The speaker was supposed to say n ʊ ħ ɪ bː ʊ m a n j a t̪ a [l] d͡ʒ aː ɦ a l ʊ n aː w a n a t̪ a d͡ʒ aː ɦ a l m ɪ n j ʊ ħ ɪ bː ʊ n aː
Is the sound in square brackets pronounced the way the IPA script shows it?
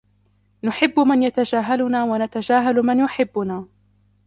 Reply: no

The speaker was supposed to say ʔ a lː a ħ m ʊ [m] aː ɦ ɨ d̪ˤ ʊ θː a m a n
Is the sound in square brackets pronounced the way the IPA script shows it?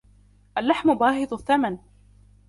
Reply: no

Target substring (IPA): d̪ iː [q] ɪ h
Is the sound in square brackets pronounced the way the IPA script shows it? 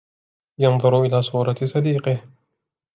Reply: yes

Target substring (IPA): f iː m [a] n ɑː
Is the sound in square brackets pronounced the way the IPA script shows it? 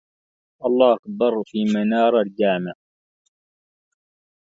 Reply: yes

